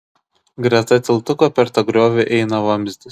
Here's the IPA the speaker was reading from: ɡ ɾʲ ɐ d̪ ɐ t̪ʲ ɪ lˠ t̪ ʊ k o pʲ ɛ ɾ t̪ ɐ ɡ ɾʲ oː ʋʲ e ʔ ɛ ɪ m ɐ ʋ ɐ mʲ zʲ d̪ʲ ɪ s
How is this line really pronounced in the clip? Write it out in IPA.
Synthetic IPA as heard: ɡ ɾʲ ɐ t̪ ɐ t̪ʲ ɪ lˠ t̪ ʊ k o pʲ ɛ ɾ t̪ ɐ ɡ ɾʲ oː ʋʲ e ʔ ɛ ɪ n ɐ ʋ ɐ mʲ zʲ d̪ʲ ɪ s